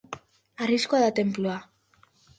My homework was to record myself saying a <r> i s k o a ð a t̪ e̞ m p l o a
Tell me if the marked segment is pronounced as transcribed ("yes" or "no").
yes